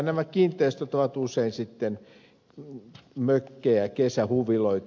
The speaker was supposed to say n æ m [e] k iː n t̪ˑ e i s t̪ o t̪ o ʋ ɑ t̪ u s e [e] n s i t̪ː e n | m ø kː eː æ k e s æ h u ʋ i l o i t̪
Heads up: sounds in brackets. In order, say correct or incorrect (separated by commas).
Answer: incorrect, incorrect